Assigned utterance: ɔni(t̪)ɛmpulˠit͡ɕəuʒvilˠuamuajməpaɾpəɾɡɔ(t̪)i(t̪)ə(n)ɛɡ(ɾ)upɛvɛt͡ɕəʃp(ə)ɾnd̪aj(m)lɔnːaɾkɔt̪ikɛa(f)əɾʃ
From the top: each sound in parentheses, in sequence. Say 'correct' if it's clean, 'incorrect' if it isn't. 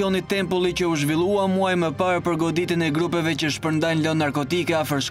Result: correct, incorrect: d̪, correct, correct, correct, correct, incorrect: n, correct

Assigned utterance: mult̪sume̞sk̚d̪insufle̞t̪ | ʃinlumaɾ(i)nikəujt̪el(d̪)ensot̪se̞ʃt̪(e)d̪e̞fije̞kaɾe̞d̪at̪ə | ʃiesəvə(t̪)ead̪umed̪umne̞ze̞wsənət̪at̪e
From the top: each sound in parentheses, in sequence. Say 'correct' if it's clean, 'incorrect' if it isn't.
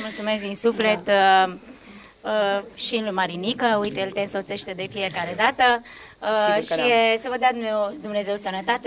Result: correct, incorrect: t̪, correct, incorrect: d̪

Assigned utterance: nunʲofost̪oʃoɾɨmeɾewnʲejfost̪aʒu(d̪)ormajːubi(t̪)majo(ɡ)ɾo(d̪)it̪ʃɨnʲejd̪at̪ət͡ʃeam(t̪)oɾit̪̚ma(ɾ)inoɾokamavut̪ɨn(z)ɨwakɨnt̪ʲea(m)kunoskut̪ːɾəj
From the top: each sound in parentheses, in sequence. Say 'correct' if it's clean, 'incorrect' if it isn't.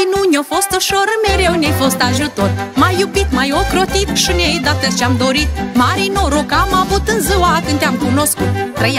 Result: incorrect: t̪, correct, incorrect: k, incorrect: t̪, incorrect: d̪, correct, correct, correct

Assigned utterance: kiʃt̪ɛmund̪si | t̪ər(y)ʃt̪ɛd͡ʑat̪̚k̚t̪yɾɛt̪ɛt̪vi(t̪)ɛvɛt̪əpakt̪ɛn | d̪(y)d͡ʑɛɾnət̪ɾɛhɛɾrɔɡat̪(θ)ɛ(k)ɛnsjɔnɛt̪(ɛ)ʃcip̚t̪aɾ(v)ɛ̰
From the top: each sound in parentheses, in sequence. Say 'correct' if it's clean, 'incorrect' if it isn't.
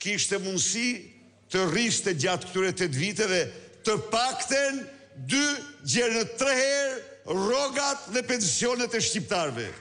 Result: incorrect: i, correct, correct, incorrect: ð, incorrect: p, correct, correct

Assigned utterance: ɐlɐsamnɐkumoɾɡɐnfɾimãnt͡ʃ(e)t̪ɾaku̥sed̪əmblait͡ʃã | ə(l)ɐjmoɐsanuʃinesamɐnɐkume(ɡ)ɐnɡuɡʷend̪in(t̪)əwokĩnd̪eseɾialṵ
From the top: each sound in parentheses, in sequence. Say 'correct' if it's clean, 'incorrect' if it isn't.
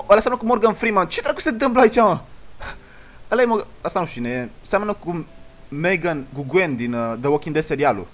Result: incorrect: i, correct, correct, incorrect: d̪

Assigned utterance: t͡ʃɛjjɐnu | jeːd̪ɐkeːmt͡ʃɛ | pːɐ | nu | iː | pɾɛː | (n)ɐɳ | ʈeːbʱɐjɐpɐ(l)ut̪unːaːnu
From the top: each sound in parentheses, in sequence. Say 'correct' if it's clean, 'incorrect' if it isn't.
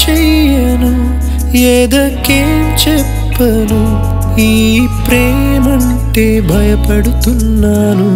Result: incorrect: m, incorrect: ɽ

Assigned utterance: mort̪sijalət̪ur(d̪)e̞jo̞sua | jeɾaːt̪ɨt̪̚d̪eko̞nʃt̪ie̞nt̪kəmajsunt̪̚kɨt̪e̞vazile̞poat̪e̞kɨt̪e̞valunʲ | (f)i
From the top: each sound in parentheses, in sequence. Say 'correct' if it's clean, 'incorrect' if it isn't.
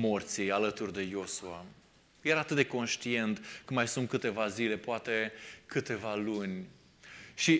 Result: correct, incorrect: ʃ

